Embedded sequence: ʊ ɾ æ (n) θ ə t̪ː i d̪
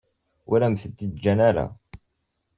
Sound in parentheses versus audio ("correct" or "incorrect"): incorrect